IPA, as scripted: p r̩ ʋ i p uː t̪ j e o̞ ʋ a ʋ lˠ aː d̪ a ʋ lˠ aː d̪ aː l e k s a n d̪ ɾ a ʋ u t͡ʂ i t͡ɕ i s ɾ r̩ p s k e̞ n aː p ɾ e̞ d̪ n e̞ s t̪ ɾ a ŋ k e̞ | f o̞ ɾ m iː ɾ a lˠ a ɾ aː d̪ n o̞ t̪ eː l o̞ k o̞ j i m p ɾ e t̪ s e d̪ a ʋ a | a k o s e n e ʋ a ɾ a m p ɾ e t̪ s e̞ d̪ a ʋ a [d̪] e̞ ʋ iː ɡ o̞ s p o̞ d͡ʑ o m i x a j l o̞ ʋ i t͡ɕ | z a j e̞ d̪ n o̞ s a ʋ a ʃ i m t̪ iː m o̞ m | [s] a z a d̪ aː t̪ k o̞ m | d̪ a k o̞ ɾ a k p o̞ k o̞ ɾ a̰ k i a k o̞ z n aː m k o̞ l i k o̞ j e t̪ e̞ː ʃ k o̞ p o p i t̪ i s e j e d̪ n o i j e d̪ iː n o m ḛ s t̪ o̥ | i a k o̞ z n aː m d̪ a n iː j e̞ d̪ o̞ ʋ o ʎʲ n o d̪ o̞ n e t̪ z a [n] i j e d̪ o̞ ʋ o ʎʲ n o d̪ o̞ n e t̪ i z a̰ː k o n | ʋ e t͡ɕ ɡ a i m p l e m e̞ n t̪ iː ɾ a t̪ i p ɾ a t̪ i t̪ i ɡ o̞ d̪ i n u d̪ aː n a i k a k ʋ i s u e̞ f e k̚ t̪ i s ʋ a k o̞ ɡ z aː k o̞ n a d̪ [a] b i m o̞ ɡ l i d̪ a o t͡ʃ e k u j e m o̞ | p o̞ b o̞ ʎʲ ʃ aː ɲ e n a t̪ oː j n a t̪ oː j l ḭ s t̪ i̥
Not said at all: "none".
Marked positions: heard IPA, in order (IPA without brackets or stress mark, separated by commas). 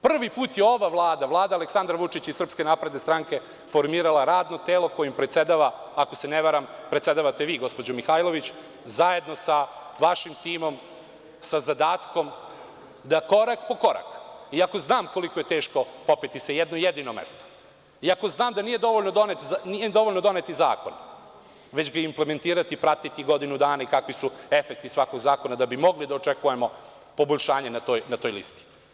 t̪, s, n, a